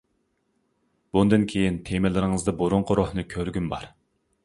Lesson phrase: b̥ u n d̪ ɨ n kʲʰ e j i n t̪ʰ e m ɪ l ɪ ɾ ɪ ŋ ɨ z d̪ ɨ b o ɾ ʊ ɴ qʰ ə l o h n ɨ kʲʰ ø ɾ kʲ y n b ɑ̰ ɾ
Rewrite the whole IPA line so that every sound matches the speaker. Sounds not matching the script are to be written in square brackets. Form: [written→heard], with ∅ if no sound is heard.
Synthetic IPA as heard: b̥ u n d̪ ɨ n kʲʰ e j i n t̪ʰ e m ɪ l ɪ ɾ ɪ ŋ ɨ z d̪ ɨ b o ɾ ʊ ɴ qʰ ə [l→ɾ] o h n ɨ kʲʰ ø ɾ [kʲ→ɡʲ] y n b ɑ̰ ɾ